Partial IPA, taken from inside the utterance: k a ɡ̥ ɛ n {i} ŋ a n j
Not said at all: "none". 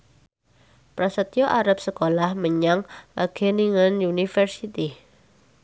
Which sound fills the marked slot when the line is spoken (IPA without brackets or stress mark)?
i